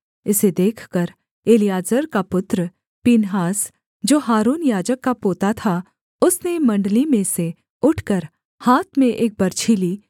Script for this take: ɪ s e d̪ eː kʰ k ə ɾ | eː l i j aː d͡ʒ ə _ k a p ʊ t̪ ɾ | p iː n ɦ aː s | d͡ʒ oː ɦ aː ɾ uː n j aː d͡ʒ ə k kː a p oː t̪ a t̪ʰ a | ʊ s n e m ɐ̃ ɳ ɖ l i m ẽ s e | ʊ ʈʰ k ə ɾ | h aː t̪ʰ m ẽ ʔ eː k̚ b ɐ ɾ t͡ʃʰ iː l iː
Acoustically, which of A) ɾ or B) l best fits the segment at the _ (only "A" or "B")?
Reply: A